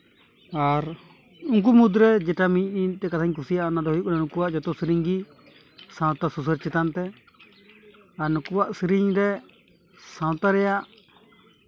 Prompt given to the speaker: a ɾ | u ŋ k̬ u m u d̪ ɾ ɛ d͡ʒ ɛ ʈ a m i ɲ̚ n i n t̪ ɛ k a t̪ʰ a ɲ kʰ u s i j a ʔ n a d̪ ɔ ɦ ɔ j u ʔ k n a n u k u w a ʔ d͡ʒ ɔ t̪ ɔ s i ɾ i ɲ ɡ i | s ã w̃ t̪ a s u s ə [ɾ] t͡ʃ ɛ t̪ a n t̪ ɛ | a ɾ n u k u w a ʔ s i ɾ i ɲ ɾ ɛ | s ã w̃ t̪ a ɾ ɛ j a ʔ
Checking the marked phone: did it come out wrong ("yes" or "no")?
no